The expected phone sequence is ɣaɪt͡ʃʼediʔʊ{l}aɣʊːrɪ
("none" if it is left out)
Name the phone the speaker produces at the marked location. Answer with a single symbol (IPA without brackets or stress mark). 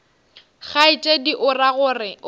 r